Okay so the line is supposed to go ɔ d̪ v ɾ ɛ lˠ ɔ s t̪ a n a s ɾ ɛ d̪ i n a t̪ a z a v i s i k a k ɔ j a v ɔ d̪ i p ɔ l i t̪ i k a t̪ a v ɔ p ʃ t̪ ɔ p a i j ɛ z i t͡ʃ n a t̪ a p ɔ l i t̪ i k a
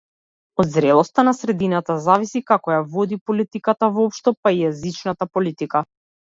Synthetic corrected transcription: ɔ d̪ z ɾ ɛ lˠ ɔ s t̪ a n a s ɾ ɛ d̪ i n a t̪ a z a v i s i k a k ɔ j a v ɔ d̪ i p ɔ l i t̪ i k a t̪ a v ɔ p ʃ t̪ ɔ p a i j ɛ z i t͡ʃ n a t̪ a p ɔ l i t̪ i k a